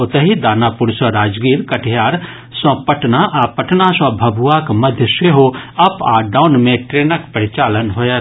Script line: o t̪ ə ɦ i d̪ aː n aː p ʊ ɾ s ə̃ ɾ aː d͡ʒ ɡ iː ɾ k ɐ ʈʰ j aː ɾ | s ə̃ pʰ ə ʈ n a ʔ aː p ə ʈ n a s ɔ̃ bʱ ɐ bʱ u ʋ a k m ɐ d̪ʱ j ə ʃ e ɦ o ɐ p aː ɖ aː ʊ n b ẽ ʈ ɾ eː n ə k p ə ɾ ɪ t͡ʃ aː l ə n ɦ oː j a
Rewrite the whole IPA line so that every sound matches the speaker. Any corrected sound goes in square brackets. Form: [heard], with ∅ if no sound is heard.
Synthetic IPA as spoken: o t̪ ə ɦ i d̪ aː n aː p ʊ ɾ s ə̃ ɾ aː d͡ʒ ɡ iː ɾ k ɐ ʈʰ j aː ɾ | s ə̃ [p] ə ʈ n a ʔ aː p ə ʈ n a s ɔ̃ bʱ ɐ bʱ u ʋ a k m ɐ d̪ʱ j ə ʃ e ɦ o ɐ p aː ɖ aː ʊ n [m] ẽ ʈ ɾ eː n ə k p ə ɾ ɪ t͡ʃ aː l ə n ɦ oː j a